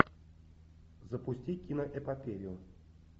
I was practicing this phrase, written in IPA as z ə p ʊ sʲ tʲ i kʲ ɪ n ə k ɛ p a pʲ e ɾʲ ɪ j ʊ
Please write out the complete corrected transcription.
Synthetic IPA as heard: z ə p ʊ sʲ tʲ i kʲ i n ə ʔ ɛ p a pʲ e ɾʲ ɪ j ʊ